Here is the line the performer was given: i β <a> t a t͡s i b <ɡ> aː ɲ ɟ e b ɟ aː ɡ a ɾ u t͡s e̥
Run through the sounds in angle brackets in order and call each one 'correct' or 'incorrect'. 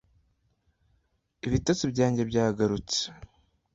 incorrect, incorrect

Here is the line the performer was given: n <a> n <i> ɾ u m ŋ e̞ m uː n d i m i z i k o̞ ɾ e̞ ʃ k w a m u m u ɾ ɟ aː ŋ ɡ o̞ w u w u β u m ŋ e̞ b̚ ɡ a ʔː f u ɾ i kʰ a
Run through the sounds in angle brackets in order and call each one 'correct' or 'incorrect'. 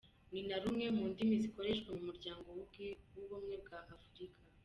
incorrect, incorrect

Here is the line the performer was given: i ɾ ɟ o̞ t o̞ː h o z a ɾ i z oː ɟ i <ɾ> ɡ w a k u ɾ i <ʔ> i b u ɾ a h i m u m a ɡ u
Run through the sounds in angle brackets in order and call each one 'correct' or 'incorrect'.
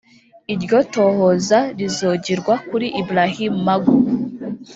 correct, correct

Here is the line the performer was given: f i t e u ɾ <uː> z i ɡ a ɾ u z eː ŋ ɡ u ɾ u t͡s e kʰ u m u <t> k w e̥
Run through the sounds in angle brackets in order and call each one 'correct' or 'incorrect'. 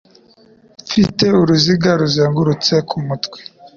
incorrect, correct

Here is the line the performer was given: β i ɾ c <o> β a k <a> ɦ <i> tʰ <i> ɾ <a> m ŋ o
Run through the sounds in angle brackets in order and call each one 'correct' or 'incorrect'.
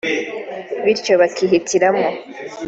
correct, incorrect, correct, correct, correct

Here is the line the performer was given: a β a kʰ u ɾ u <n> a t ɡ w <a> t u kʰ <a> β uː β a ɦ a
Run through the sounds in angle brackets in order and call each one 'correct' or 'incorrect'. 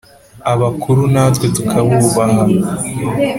correct, incorrect, correct

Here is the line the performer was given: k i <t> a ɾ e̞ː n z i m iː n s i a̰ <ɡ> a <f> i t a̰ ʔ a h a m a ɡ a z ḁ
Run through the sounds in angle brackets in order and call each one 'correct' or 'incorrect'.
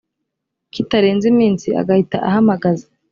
correct, correct, incorrect

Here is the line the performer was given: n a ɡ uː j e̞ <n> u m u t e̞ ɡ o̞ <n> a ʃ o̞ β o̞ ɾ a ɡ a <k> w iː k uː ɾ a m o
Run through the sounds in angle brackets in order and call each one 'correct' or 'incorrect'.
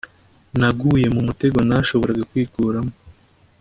incorrect, correct, correct

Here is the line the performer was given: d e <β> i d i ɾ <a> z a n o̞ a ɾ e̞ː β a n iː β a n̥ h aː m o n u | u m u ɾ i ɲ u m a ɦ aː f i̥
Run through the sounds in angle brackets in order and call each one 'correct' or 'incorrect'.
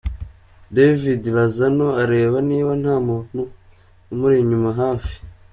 incorrect, correct

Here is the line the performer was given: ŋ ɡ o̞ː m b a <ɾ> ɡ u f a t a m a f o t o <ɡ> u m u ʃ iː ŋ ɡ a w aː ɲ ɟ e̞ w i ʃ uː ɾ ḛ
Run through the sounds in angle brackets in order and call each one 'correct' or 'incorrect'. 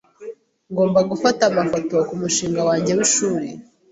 incorrect, incorrect

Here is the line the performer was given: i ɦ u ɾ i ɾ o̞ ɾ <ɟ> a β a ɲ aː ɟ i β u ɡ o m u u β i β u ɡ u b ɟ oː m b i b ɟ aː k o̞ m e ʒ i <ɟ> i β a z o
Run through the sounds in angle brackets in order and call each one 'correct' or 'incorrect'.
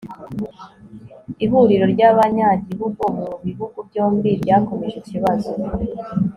correct, incorrect

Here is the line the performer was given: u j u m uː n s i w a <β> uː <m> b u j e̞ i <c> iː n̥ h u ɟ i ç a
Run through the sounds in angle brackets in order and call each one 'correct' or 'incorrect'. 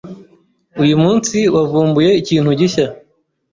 incorrect, correct, correct

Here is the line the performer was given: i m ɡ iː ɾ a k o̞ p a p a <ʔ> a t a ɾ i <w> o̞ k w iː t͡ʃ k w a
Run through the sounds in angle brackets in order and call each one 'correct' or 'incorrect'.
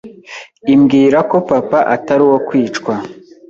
correct, correct

